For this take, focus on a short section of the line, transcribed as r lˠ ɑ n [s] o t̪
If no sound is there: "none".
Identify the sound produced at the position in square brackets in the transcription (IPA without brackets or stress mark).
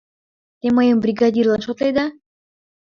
ʃ